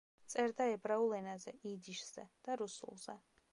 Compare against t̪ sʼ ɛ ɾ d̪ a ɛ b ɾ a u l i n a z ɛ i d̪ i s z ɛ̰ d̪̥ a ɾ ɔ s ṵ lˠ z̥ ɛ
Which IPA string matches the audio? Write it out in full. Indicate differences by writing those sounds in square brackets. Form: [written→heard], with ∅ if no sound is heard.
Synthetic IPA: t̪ sʼ ɛ ɾ d̪ a ɛ b ɾ a u l [i→ɛ] n a z ɛ i d̪ i [s→ʃ] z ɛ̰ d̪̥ a ɾ [ɔ→u] s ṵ lˠ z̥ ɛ

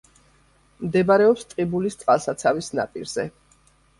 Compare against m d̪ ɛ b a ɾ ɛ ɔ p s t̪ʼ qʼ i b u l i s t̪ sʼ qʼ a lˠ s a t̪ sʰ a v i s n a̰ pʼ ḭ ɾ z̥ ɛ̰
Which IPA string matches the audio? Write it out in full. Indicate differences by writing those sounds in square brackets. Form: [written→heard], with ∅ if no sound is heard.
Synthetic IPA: m d̪ ɛ b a ɾ ɛ ɔ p s t̪ʼ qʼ i b u l i s t̪ sʼ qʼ a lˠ s a t̪ sʰ a v i s n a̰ pʼ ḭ ɾ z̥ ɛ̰

